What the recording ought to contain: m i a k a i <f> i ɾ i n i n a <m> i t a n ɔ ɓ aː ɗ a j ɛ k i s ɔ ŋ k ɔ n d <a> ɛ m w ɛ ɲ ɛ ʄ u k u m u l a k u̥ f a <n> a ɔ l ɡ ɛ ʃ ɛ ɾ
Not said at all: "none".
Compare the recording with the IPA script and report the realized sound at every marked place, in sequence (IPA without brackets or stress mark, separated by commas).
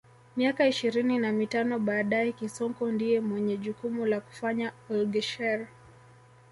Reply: ʃ, m, i, ɲ